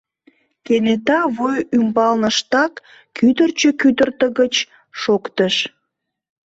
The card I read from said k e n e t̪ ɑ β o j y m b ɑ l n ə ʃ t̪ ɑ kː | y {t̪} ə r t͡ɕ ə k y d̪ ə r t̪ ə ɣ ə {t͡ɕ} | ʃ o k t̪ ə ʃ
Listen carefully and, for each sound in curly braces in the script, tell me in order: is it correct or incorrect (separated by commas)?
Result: incorrect, correct